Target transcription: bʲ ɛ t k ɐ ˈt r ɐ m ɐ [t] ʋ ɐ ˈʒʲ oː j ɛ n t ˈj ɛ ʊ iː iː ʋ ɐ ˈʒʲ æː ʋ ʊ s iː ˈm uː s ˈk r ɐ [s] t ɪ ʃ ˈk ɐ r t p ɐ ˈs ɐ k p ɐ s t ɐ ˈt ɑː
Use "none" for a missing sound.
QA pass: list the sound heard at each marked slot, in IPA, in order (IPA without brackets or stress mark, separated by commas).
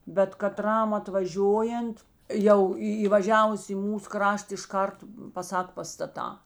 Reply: t, ʃ